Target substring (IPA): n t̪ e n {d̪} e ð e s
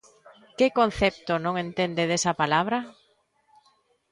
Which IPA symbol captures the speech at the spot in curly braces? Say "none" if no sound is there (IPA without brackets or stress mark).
d̪